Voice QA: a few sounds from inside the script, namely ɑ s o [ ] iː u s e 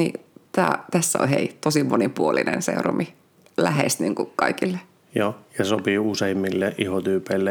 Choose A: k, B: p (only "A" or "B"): B